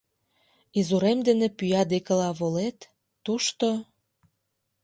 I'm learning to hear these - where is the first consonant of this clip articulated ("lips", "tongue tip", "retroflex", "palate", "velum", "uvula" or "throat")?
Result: tongue tip